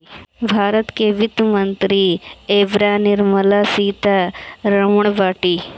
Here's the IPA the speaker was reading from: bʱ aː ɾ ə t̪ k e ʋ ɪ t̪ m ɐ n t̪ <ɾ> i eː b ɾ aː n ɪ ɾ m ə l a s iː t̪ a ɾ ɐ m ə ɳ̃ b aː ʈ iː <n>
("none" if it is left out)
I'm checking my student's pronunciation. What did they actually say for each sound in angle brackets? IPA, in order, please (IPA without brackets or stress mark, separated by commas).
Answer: ɾ, none